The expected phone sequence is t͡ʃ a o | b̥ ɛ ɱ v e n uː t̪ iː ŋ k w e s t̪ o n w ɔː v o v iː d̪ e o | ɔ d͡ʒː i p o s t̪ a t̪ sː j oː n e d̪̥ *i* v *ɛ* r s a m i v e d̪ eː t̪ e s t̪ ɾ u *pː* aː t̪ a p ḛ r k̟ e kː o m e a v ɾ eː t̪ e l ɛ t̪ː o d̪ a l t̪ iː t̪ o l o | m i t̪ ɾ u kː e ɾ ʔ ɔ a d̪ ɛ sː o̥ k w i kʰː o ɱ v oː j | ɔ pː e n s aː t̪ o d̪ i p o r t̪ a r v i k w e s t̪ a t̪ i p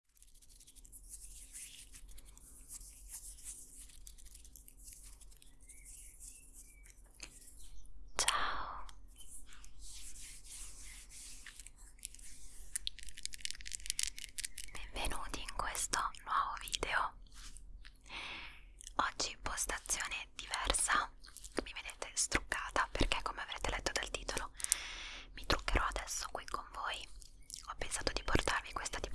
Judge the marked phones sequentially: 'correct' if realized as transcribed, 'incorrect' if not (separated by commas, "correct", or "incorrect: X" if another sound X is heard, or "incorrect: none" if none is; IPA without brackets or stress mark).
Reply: correct, correct, incorrect: kː